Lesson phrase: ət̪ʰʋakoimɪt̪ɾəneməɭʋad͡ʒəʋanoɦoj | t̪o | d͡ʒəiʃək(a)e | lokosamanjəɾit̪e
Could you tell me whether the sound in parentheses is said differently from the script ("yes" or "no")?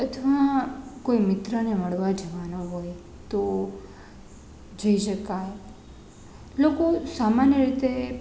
no